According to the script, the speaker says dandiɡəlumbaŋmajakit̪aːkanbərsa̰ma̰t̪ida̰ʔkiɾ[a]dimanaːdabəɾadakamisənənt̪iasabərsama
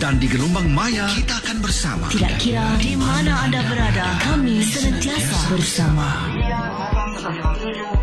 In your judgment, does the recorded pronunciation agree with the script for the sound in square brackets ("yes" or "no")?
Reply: yes